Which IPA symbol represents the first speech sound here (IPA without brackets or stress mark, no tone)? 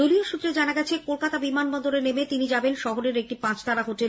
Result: o